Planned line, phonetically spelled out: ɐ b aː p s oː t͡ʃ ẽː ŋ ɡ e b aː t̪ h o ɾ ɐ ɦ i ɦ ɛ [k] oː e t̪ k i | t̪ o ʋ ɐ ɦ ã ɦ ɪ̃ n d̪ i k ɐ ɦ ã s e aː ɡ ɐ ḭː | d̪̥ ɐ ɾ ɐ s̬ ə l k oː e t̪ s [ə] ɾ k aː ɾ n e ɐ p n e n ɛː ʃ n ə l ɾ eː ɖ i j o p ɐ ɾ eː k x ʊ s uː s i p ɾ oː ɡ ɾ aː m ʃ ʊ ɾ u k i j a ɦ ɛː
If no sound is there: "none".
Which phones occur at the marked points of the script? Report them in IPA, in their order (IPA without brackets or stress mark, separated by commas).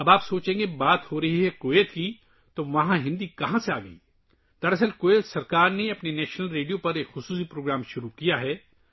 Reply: k, ɐ